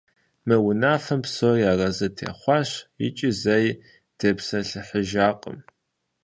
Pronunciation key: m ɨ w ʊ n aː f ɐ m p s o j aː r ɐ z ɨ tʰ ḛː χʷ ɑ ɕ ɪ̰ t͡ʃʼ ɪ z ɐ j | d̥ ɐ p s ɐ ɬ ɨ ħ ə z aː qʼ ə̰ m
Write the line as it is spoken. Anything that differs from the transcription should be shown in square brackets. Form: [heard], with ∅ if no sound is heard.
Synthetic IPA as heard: m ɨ w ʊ n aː f ɐ m p s o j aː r ɐ z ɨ tʰ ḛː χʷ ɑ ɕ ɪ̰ t͡ʃʼ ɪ z ɐ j | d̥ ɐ p s ɐ ɬ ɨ ħ ə [ʒ] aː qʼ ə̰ m